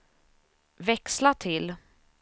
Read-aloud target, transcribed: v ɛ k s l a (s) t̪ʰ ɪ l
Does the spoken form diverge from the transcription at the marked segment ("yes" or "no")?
yes